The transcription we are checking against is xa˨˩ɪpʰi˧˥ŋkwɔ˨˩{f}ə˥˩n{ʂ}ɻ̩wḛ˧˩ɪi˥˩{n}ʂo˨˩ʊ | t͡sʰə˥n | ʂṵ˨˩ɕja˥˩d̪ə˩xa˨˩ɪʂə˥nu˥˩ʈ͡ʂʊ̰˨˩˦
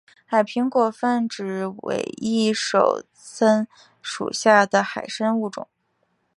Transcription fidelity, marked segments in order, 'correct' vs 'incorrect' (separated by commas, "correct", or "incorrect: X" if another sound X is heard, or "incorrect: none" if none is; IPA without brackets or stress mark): correct, incorrect: ʈ͡ʂ, incorrect: none